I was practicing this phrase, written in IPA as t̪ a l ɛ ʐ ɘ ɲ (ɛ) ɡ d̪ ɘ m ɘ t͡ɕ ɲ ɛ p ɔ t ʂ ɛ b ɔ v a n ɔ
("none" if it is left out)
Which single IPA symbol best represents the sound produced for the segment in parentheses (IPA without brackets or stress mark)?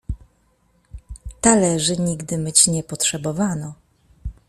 i